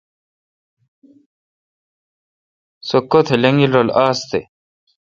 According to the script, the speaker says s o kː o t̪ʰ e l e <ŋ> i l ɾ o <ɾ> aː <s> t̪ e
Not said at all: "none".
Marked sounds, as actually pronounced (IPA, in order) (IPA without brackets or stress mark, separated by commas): ŋ, l, s